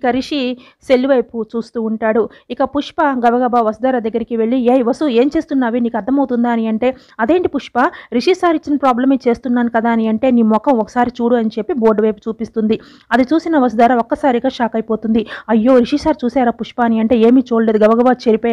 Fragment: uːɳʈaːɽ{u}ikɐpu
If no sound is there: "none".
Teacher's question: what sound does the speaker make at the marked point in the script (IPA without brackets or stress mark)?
u